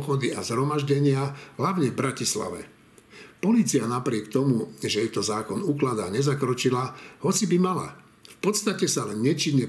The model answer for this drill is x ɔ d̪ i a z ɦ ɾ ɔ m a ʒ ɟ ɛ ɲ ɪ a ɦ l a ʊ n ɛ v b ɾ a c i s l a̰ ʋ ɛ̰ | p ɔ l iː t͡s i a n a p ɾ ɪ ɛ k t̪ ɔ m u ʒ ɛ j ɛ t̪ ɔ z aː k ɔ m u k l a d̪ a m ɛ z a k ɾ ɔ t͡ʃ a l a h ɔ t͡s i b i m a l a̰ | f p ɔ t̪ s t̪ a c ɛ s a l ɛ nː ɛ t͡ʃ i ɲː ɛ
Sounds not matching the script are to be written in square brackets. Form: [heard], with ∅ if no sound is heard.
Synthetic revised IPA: x ɔ d̪ i a z ɦ ɾ ɔ m a ʒ ɟ ɛ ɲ ɪ a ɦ l a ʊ [ɲ] ɛ v b ɾ a c i s l a̰ ʋ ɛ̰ | p ɔ l iː t͡s i a n a p ɾ ɪ ɛ k t̪ ɔ m u ʒ ɛ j ɛ t̪ ɔ z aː k ɔ [n] u k l a d̪ a [ɲ] ɛ z a k ɾ ɔ t͡ʃ [i] l a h ɔ t͡s i b i m a l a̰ | f p ɔ t̪ s t̪ a c ɛ s a l ɛ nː ɛ t͡ʃ i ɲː ɛ